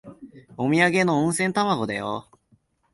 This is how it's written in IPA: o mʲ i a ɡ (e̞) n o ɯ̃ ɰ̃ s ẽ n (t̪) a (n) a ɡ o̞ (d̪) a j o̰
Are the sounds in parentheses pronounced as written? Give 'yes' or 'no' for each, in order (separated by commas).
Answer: yes, yes, no, yes